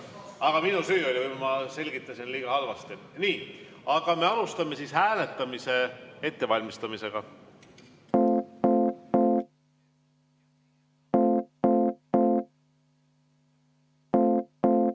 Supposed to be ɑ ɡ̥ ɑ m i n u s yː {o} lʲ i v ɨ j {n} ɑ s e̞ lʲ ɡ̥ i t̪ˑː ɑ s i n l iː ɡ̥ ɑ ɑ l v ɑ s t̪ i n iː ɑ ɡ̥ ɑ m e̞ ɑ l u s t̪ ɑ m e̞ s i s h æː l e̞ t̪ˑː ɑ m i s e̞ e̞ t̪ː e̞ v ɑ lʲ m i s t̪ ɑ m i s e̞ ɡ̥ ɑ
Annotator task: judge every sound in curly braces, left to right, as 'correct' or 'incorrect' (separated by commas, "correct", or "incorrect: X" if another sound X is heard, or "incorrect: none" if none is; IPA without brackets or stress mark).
correct, incorrect: m